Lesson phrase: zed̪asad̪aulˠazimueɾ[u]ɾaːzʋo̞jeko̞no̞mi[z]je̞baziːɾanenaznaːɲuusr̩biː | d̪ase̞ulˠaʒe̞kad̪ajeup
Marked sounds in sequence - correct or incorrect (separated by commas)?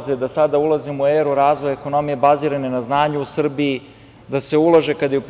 correct, incorrect